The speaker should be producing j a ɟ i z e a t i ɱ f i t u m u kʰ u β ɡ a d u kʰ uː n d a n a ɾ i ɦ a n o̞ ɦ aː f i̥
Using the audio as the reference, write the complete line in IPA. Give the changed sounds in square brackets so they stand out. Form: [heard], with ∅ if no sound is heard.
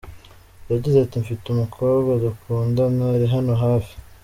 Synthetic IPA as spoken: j a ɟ i z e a t i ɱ f i t u m u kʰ [o] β ɡ a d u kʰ uː n d a n a ɾ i ɦ a n o̞ ɦ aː f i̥